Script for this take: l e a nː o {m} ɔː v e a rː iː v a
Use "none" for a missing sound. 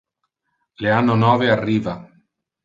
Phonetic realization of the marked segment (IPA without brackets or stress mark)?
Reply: n